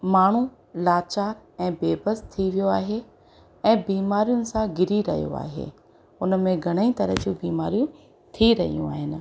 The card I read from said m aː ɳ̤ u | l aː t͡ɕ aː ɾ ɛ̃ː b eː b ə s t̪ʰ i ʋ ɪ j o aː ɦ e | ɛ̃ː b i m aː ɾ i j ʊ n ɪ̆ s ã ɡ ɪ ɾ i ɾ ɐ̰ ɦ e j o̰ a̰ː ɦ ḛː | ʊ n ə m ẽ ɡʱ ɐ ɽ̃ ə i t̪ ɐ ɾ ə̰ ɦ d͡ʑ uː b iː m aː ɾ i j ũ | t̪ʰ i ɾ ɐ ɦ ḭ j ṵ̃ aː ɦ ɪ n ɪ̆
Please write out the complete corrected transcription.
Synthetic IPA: m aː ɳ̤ u | l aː t͡ɕ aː ɾ ɛ̃ː b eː b ə s t̪ʰ i ʋ i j o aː ɦ e | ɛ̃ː b iː m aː ɾ i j ʊ n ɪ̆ s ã ɡ ɪ ɾ i ɾ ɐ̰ ɦ i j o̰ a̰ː ɦ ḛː | ʊ n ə m ẽ ɡʱ ɐ ɽ̃ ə i t̪ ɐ ɾ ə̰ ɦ d͡ʑ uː b iː m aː ɾ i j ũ | t̪ʰ i ɾ ɐ ɦ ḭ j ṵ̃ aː ɦ ɪ n ɪ̆